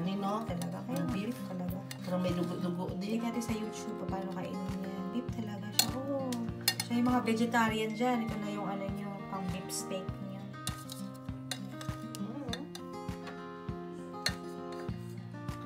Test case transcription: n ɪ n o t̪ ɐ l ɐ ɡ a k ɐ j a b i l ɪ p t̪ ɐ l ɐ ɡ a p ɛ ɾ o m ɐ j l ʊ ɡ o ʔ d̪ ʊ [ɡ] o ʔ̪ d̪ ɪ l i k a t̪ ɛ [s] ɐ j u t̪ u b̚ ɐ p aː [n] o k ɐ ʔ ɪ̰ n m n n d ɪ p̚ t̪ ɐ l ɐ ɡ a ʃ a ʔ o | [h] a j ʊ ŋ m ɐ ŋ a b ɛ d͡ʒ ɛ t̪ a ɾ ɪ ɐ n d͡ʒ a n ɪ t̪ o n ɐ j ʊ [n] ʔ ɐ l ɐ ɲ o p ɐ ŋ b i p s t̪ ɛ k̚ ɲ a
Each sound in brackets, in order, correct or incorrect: correct, correct, correct, incorrect: ʃ, incorrect: ŋ

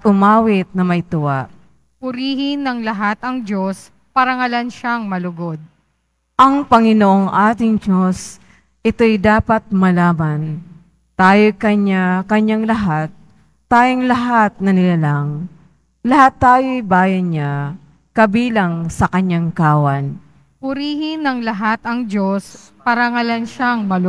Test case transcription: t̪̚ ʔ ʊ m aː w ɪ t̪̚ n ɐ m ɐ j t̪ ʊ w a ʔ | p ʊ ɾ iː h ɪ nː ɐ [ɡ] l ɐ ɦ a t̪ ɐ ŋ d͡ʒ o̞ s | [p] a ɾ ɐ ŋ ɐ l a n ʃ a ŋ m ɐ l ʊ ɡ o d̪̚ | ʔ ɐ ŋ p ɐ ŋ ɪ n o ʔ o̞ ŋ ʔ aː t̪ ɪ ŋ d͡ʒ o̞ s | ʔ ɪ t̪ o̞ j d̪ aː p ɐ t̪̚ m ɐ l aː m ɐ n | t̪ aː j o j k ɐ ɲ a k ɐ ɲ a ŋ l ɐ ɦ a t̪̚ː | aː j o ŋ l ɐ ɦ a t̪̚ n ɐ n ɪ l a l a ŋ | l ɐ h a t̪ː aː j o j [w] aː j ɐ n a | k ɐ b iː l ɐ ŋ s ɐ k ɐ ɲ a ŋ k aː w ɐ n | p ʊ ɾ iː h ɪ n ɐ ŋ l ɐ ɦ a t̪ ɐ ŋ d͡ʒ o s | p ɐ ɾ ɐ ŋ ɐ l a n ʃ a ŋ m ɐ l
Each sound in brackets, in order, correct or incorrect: incorrect: ŋ, correct, incorrect: b

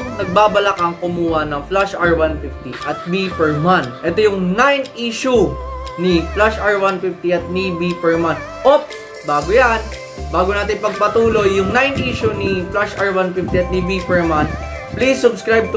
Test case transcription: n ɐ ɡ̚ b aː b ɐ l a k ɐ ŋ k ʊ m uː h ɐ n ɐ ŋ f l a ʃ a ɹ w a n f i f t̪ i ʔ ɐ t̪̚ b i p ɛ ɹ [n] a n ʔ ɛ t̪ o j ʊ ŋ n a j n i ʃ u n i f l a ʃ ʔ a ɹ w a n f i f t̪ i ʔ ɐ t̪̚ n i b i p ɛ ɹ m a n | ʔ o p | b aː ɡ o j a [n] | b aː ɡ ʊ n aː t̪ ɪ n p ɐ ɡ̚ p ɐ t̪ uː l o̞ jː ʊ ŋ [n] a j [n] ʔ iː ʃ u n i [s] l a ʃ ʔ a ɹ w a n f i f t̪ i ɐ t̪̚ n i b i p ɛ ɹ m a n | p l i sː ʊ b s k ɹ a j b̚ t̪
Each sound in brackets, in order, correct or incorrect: incorrect: m, correct, correct, correct, incorrect: f

